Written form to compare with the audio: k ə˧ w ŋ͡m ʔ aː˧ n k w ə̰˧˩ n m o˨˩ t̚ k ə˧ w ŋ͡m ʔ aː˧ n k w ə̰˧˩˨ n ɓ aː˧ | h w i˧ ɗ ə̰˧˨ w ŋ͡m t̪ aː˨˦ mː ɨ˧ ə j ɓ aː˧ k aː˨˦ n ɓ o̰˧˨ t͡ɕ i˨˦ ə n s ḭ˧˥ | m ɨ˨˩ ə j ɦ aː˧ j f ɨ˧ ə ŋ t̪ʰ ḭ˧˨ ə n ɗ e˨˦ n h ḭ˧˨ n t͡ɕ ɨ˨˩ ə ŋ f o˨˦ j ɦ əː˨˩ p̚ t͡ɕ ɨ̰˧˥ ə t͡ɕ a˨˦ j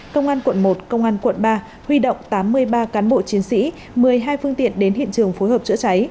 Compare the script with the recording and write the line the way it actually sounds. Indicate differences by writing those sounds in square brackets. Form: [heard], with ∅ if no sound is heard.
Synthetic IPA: k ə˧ w ŋ͡m ʔ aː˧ n k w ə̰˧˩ n m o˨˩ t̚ k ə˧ w ŋ͡m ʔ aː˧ n k w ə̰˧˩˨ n ɓ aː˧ | h w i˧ ɗ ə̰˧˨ w ŋ͡m t̪ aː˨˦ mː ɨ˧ ə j ɓ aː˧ k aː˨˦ n ɓ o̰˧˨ t͡ɕ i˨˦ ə n s ḭ˧˥ | m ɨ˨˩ ə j ɦ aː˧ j f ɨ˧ ə ŋ [t̪] ḭ˧˨ ə n ɗ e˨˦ n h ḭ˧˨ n t͡ɕ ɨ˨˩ ə ŋ f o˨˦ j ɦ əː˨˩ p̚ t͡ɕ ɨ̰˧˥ ə t͡ɕ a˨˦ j